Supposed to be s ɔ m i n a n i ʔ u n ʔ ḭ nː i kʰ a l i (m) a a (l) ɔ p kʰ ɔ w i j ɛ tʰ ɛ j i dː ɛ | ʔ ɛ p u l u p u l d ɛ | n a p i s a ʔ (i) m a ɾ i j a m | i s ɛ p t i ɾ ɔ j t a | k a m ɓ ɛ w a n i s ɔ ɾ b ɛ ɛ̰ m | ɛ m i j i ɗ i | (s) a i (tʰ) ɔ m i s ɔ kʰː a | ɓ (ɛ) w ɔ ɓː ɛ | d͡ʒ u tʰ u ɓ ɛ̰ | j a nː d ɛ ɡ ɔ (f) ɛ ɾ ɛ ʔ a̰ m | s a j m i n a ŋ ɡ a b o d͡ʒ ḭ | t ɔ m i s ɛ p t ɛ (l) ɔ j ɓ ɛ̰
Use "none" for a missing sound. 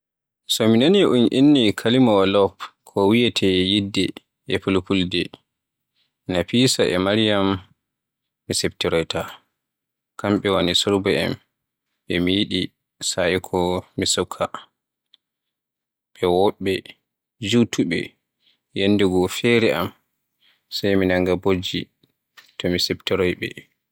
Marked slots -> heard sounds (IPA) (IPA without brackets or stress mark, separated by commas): m, l, ɛ, s, kʰ, ɛ, f, ɾ